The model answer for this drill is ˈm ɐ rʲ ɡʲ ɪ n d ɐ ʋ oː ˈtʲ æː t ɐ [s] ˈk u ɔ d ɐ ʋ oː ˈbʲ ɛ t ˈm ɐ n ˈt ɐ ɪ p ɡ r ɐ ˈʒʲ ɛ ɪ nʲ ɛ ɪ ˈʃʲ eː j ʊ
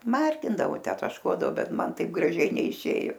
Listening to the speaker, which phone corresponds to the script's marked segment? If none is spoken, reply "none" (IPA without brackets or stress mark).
ʃ